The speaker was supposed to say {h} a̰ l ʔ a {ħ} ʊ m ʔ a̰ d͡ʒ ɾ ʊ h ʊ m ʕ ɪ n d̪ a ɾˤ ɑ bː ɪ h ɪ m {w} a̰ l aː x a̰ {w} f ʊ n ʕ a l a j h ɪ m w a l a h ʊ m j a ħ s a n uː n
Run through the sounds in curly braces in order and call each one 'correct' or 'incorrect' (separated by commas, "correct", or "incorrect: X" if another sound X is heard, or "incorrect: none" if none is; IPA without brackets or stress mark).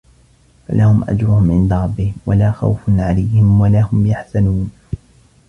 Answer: incorrect: f, incorrect: h, correct, correct